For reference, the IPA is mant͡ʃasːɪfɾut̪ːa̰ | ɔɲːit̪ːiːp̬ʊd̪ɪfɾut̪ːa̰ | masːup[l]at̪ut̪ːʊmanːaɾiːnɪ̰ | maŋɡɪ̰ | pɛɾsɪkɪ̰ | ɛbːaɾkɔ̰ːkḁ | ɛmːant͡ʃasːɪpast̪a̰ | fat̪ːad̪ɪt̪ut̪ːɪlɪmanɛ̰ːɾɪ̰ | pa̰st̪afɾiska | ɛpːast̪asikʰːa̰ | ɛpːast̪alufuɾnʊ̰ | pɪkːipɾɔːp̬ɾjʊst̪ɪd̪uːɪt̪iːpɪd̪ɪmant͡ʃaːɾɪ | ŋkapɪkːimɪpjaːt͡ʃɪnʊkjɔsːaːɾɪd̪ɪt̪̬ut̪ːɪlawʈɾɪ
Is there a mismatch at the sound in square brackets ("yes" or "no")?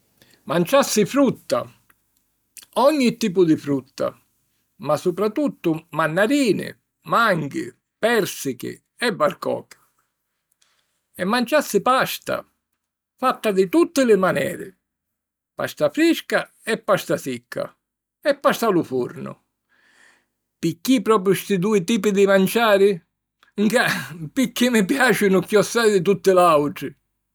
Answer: yes